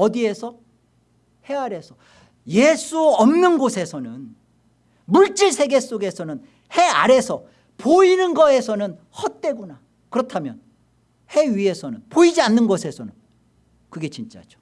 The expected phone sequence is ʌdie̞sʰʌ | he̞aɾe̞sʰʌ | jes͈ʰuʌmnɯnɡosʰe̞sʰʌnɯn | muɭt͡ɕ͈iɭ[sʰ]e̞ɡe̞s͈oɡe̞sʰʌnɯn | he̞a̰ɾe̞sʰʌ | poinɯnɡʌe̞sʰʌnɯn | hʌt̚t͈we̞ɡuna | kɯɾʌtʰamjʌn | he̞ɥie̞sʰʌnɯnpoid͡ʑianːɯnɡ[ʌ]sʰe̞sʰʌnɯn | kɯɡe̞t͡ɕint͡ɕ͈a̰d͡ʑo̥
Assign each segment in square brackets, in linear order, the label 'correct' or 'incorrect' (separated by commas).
correct, correct